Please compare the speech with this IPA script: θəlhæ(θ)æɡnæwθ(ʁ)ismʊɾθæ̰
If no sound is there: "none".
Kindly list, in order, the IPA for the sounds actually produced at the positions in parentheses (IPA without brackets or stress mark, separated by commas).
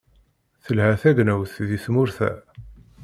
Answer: θ, ð